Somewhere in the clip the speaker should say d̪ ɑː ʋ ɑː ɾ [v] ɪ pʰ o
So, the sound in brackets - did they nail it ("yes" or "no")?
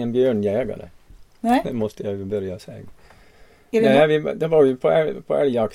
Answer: no